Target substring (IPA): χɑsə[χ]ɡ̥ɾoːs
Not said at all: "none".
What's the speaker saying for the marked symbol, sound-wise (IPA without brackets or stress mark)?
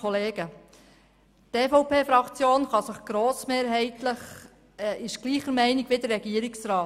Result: χ